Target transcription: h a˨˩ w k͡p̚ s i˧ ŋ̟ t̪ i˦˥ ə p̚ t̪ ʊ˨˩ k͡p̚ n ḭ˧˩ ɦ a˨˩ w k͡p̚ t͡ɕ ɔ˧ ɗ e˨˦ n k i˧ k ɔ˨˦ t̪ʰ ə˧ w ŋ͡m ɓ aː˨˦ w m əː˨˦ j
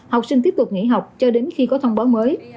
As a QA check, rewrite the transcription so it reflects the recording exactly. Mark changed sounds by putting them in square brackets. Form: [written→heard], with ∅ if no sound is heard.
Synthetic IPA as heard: h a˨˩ w k͡p̚ s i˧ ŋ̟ t̪ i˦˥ ə p̚ t̪ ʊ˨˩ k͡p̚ [n→ŋ] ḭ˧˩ ɦ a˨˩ w k͡p̚ t͡ɕ ɔ˧ ɗ e˨˦ n [k→x] i˧ k ɔ˨˦ t̪ʰ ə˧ w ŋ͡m ɓ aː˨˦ w m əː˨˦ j